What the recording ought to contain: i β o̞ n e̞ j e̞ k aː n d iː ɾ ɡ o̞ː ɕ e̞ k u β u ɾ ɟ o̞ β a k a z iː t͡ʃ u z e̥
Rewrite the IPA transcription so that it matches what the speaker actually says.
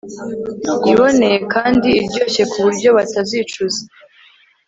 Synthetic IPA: i β o̞ n e̞ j e̞ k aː n d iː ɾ ɟ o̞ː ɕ e̞ k u β u ɾ ɟ o̞ β a t a z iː t͡ʃ u z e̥